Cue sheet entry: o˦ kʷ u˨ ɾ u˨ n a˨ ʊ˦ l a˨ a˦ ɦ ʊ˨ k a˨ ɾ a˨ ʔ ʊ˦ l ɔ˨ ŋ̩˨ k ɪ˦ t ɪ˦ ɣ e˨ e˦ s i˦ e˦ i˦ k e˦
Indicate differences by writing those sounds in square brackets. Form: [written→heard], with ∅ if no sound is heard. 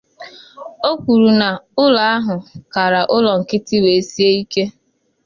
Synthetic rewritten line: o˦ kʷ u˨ ɾ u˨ n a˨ ʊ˦ l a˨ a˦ ɦ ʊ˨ k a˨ ɾ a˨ ʔ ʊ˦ l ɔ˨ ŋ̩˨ k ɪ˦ t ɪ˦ [ɣ→w] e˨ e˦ s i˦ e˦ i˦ k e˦